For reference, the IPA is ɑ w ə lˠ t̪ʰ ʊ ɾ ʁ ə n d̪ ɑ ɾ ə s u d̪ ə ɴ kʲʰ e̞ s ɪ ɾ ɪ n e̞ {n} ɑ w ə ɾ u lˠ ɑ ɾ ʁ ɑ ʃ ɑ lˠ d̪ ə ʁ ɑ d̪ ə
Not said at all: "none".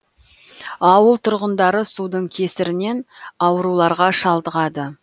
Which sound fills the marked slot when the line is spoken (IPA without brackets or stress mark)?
n